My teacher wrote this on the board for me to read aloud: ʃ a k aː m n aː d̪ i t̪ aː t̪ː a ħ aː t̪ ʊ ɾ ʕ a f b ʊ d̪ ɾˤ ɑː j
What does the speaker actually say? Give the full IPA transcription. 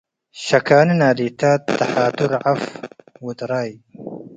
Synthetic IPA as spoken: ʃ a k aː n n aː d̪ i t̪ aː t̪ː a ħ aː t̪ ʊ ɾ ʕ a f w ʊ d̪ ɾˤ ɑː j

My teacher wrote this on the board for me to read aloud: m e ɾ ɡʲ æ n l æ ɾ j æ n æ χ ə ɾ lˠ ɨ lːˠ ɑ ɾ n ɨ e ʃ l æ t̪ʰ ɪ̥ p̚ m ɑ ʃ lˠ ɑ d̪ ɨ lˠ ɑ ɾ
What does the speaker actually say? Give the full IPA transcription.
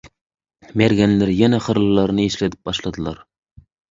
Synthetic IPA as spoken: m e ɾ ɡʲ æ n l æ ɾ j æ n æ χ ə ɾ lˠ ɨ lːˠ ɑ ɾ n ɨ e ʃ l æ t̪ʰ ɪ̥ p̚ b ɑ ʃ lˠ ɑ d̪ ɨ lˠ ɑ ɾ

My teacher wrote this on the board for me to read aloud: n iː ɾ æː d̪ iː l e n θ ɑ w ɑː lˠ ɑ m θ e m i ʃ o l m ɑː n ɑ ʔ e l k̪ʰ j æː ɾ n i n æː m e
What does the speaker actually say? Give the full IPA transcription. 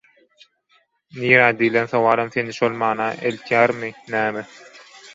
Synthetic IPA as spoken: n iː ɾ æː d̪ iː l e n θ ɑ w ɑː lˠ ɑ m θ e n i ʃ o l m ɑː n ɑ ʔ e l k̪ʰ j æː ɾ m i n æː m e

